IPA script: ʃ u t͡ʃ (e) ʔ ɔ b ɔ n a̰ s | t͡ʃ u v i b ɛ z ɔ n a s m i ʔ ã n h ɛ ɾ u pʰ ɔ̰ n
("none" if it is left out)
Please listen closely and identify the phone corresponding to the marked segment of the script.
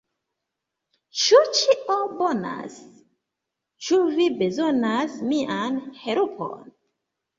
i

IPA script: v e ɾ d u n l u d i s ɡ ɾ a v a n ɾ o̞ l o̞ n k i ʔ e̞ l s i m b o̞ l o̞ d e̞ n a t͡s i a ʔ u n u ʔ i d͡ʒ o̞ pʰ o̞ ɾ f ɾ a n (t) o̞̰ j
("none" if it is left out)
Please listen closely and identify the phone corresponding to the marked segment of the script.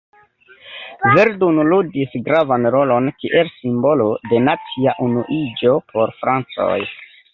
t͡s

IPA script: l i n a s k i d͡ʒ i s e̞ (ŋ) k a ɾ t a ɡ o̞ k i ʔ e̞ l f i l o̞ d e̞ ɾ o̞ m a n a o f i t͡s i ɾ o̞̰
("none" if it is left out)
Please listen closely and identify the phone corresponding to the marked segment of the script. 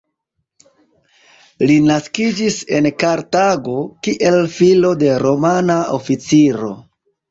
n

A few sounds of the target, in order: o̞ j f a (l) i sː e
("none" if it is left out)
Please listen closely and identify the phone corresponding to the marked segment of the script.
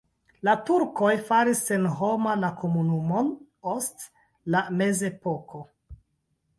ɾ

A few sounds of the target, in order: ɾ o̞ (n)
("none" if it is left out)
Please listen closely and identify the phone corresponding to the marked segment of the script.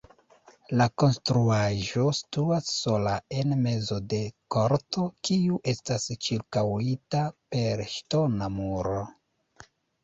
none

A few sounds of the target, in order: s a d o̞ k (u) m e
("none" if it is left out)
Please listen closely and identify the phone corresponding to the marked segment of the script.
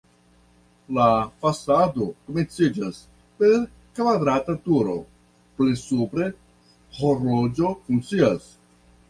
o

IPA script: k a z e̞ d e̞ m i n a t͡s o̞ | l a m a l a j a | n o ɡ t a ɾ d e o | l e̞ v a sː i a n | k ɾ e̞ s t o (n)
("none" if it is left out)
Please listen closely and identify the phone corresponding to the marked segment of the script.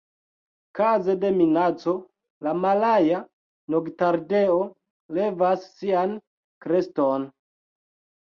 n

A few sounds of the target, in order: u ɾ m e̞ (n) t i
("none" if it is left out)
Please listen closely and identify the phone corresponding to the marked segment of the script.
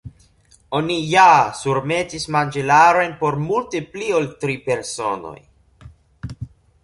none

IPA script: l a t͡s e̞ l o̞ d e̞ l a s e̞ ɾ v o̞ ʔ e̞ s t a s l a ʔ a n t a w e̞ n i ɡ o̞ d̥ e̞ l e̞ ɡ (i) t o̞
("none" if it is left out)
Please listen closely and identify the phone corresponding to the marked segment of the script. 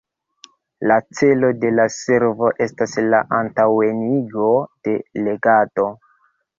a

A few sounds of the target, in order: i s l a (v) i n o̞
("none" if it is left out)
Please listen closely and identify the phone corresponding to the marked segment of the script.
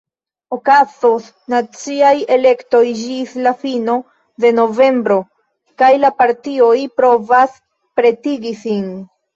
f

